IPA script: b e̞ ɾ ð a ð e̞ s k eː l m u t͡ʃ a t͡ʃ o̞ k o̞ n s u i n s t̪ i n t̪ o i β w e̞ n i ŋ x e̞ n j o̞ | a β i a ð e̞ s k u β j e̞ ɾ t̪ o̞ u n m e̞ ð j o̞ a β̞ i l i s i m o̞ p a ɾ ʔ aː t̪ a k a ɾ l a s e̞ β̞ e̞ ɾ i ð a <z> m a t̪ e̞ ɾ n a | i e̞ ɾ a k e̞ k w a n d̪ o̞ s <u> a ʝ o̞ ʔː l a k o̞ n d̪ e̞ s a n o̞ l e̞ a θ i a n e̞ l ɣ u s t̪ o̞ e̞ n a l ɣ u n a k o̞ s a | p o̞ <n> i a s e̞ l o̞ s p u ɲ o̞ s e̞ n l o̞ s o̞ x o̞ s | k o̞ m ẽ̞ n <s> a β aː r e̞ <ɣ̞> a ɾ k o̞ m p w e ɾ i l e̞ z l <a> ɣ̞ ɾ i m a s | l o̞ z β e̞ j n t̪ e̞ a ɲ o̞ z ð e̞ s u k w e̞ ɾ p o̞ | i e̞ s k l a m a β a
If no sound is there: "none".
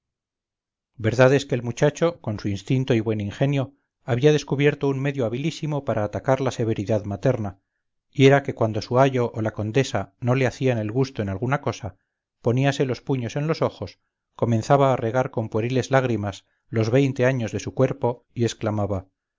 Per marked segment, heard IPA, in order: ð, u, n, θ, ɣ̞, a

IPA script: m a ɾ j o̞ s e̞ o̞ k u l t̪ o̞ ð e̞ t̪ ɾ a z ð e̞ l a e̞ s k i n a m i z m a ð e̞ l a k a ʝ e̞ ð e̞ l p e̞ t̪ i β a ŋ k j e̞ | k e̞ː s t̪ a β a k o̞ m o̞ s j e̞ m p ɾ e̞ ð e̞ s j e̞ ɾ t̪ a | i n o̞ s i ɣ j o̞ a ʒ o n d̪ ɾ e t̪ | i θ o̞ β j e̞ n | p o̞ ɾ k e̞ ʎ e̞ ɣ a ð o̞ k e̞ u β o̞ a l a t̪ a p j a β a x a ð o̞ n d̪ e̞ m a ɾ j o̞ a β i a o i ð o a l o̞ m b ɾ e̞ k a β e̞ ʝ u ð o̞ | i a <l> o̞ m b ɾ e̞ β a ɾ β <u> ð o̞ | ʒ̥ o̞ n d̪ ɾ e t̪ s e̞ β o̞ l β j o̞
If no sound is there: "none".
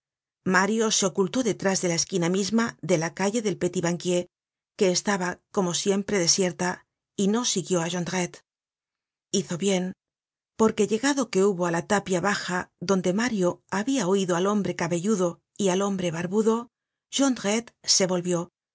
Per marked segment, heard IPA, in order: l, u

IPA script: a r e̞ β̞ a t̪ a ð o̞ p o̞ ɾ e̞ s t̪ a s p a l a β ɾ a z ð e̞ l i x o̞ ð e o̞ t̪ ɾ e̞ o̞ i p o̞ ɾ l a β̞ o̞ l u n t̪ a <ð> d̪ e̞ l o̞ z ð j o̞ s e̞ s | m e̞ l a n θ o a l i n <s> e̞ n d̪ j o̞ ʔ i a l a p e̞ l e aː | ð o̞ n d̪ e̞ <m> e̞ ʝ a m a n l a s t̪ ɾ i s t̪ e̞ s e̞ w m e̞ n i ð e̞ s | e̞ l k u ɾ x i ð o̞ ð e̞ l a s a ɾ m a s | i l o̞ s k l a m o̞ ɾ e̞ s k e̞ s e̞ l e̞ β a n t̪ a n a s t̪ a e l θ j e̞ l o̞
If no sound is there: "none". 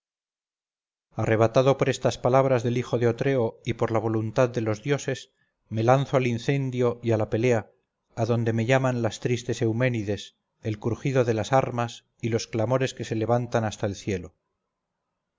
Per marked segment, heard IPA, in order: ð, θ, m

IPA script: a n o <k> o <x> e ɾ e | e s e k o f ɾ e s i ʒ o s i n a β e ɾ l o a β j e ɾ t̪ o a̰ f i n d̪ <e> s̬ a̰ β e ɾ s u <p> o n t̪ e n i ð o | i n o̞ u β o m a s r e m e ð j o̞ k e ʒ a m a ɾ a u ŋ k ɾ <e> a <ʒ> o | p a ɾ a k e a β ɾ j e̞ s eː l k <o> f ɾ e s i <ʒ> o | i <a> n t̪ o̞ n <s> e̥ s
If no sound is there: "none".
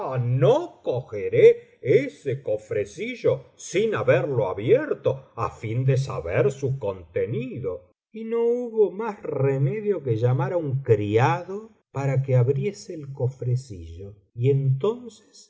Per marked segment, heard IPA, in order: k, x, e, k, i, ð, o, ʒ, e, s

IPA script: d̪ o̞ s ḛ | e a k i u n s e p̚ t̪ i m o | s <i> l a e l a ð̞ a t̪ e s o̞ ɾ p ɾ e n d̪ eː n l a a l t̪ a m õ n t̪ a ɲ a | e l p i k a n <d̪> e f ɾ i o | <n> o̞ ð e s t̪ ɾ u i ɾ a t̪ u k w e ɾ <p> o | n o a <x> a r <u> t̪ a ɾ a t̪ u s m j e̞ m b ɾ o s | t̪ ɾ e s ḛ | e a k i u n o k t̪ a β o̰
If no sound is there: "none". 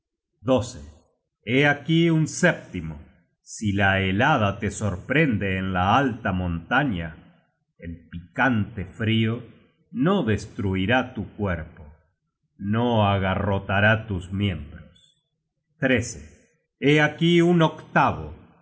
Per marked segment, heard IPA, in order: i, t̪, n, p, ɣ, o

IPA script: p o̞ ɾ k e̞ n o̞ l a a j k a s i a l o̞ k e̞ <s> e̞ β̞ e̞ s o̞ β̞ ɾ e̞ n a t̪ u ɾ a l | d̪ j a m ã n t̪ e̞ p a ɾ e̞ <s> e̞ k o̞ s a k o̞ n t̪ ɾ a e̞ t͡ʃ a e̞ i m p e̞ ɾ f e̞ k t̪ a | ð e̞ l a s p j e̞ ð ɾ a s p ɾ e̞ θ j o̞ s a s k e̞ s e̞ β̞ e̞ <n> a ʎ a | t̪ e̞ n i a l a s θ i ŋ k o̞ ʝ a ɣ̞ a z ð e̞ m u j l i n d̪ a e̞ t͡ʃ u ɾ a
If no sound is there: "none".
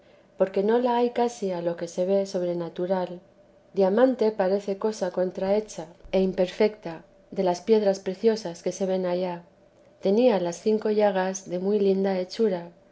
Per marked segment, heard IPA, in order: s, θ, n

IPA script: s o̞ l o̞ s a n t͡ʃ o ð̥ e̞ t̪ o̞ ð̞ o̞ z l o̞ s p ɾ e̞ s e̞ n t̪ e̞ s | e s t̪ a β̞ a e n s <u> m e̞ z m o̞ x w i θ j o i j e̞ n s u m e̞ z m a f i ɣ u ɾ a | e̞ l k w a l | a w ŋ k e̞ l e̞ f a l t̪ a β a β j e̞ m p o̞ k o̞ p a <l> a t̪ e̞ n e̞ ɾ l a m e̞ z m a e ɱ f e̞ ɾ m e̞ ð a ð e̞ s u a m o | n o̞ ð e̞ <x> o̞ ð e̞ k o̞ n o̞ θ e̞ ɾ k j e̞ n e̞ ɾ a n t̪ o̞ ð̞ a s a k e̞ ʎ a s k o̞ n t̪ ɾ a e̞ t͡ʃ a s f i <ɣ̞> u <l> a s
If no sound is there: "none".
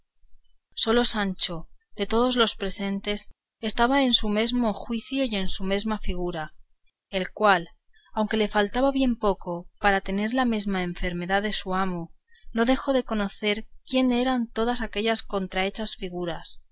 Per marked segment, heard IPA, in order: u, ɾ, x, ɣ̞, ɾ

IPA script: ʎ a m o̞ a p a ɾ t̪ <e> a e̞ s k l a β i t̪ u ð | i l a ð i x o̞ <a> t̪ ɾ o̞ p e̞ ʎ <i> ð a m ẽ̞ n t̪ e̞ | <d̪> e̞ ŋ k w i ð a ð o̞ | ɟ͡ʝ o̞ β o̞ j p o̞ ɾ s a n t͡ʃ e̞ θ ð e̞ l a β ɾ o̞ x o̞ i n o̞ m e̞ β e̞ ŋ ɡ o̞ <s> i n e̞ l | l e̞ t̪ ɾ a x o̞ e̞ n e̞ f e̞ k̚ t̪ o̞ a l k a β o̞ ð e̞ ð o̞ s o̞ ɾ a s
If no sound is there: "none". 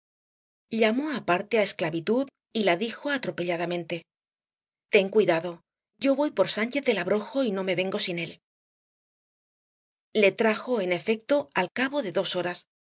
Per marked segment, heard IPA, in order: e, a, a, t̪, s

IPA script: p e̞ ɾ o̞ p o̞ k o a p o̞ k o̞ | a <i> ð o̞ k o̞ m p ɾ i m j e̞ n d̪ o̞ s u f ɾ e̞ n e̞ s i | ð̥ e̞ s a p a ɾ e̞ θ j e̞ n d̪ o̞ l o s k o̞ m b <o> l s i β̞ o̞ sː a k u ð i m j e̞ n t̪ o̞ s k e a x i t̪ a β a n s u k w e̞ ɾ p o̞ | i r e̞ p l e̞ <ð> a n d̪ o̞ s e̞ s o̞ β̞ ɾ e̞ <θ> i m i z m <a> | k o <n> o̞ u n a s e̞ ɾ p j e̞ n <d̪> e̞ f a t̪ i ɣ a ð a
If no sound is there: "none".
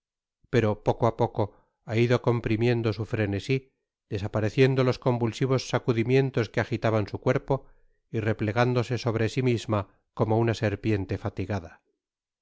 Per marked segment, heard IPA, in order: i, u, ɣ, s, a, m, t̪

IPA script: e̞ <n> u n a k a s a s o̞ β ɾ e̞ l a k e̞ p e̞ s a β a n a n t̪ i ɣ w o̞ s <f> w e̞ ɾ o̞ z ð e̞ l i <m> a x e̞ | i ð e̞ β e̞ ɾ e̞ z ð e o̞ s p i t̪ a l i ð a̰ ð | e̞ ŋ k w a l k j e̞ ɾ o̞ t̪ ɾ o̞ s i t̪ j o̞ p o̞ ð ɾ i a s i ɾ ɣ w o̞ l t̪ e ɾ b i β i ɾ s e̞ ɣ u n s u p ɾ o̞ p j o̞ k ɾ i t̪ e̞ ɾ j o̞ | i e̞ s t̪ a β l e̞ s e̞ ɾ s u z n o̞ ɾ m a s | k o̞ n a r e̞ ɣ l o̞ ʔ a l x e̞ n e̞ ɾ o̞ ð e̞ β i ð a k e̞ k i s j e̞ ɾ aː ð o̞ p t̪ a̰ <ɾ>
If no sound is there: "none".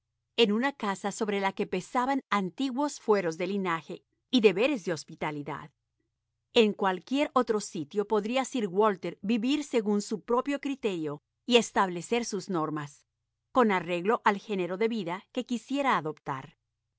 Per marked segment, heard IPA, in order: n, f, n, ɾ

